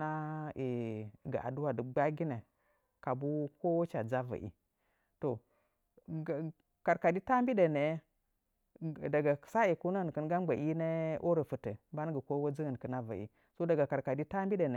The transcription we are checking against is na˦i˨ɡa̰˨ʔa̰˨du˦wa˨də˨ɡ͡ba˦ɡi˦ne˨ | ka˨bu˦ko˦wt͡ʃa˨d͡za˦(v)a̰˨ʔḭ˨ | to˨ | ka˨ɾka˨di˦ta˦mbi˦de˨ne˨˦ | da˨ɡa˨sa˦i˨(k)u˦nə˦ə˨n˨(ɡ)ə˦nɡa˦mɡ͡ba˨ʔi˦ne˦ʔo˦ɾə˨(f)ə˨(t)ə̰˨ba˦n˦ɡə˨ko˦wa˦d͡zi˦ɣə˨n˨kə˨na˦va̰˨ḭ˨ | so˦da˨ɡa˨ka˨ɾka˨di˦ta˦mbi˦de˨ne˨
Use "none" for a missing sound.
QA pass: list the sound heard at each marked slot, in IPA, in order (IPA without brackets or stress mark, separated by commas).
v, k, k, f, t